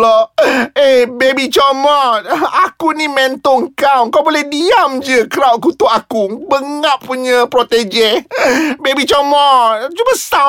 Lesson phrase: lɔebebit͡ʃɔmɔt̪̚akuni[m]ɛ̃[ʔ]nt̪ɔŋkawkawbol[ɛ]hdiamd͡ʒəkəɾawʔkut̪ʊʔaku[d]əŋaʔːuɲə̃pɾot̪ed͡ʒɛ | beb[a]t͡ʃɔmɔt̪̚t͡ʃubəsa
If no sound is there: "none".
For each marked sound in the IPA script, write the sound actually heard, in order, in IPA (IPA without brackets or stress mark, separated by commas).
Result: m, none, ɛ, b, i